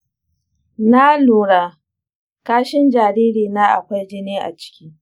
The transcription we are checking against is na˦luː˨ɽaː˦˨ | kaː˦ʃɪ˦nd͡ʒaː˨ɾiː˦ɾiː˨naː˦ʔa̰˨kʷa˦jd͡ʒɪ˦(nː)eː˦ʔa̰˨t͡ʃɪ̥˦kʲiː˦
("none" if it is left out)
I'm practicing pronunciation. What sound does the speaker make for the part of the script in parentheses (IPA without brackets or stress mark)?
n